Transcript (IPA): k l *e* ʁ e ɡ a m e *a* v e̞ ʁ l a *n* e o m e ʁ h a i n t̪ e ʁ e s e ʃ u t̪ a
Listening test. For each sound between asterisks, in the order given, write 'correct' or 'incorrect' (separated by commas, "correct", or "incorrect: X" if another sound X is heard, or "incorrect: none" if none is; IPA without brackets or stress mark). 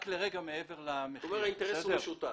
correct, incorrect: e, incorrect: m